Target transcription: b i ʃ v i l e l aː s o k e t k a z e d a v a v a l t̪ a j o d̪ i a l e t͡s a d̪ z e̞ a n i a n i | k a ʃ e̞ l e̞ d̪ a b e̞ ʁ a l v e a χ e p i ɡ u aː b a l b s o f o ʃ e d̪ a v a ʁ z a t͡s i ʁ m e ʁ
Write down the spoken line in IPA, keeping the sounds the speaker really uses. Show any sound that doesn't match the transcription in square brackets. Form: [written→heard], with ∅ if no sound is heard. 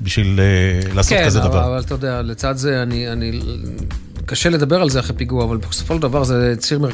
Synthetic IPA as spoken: b i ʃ v i l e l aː s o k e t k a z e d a v a v a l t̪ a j o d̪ [i→e] a l e t͡s a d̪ z e̞ a n i a n i | k a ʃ e̞ l e̞ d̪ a b e̞ ʁ a l [v→z] e a χ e p i ɡ u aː [b→v] a l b s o f o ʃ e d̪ a v a ʁ z [a→e] t͡s i ʁ m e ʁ